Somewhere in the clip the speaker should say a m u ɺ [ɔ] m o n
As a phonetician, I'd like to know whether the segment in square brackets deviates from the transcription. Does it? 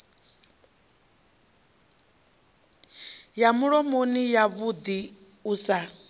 no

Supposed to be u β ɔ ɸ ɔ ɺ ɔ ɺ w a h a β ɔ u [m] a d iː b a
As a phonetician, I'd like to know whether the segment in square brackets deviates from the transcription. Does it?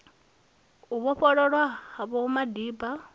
no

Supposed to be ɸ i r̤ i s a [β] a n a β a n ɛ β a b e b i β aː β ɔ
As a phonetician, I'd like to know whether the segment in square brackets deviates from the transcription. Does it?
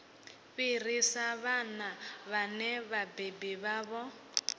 no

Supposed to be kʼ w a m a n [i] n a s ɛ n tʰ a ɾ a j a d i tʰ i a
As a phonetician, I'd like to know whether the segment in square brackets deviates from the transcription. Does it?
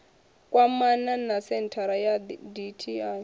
yes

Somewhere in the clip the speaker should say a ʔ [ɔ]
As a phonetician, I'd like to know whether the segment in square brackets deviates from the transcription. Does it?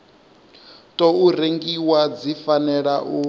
yes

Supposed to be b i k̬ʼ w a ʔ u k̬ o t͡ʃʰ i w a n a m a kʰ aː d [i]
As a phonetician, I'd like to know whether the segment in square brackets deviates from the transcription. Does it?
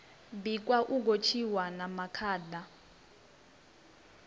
yes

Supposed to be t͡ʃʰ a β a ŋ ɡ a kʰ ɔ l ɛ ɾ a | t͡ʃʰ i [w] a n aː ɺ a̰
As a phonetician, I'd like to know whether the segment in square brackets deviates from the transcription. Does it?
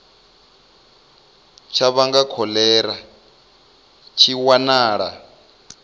no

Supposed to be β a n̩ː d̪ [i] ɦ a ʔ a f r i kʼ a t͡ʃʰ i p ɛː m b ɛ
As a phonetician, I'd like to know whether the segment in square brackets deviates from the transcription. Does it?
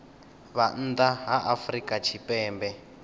yes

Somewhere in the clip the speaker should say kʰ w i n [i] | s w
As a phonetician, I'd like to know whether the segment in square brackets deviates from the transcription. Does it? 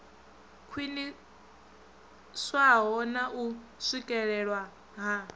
no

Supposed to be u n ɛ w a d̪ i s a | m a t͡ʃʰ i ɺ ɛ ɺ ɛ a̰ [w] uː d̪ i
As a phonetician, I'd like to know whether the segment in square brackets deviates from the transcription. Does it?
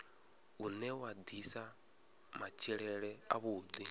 yes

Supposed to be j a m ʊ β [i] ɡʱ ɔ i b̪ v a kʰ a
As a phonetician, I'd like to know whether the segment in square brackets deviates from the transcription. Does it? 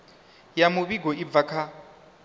no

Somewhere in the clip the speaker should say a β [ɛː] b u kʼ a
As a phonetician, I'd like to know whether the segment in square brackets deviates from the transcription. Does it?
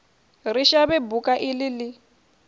yes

